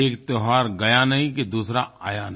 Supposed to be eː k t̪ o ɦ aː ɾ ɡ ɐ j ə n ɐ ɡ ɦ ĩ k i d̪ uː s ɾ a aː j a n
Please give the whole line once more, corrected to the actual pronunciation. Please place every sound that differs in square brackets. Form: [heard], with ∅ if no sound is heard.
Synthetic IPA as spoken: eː k t̪ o ɦ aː ɾ ɡ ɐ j [a] n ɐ [∅] ɦ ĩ k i d̪ uː s ɾ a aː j a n